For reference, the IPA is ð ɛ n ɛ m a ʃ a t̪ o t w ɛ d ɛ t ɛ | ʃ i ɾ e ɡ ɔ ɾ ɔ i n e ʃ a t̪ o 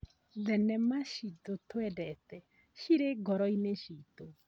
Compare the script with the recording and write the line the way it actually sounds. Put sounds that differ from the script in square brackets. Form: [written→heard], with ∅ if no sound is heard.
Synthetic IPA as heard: ð ɛ n ɛ m a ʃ [a→i] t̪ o t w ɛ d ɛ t ɛ | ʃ i ɾ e ɡ ɔ ɾ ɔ i n e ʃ [a→i] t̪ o